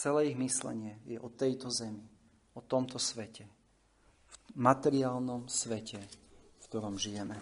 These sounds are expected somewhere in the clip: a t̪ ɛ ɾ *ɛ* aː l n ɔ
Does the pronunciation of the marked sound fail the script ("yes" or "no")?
yes